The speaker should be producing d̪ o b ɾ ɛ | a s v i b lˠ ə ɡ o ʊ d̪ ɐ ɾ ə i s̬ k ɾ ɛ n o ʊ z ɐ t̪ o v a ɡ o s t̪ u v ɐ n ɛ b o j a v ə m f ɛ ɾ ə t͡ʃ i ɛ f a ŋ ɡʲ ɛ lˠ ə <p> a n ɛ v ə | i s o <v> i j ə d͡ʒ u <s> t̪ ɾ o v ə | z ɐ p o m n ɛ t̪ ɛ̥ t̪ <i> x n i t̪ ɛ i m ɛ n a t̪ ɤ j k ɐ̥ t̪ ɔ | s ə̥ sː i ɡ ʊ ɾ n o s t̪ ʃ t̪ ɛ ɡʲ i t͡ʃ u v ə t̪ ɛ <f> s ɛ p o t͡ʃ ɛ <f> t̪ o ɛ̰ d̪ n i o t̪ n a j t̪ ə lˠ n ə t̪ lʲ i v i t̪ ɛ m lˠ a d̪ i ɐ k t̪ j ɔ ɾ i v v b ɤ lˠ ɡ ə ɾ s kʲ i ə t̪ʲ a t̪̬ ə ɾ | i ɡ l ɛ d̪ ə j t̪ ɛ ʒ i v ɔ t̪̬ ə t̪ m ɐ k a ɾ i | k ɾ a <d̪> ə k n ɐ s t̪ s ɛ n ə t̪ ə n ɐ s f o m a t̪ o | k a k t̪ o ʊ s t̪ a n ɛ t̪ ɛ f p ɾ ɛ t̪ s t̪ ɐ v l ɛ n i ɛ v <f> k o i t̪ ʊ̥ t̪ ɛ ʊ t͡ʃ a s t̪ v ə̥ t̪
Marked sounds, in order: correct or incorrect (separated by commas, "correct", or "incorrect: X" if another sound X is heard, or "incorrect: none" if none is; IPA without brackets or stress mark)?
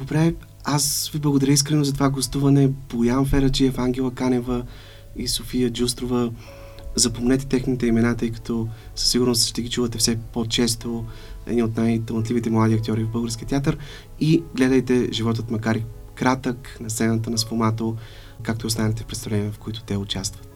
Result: incorrect: k, incorrect: f, correct, incorrect: ɛ, correct, incorrect: s, incorrect: t̪, correct